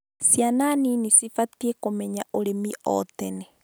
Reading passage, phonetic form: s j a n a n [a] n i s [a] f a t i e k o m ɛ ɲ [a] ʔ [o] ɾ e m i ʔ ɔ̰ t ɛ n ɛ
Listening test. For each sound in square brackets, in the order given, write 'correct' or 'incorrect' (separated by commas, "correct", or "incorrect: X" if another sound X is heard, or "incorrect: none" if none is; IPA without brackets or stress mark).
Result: incorrect: i, incorrect: i, correct, correct